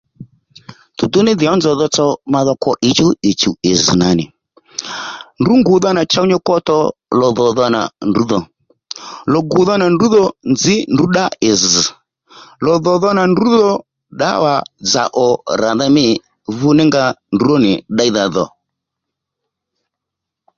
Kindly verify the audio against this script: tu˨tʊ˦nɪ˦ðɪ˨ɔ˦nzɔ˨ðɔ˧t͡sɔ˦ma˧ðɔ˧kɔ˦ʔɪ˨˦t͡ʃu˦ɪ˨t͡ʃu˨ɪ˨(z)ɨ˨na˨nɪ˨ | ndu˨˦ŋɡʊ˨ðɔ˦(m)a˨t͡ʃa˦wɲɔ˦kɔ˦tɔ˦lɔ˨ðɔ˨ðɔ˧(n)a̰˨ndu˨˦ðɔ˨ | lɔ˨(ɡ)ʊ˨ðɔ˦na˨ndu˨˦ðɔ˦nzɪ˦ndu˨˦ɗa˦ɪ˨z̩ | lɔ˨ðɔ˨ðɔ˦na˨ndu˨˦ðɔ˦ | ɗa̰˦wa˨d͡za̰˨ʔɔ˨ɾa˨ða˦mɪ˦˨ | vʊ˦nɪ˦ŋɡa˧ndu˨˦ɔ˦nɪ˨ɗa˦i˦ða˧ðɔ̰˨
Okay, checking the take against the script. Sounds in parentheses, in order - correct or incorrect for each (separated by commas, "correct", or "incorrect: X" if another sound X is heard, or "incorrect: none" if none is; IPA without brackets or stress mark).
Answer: correct, incorrect: n, correct, correct